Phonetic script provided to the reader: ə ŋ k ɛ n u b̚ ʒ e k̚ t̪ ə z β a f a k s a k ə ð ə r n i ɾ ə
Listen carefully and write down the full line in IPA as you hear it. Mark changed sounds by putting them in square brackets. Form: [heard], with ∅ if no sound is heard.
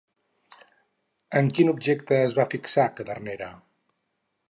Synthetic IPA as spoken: ə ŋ k [i] n u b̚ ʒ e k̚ t̪ [əː] z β a f [i] k s a k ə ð ə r n [e] ɾ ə